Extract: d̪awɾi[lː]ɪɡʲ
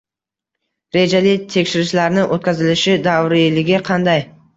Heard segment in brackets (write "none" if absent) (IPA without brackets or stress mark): l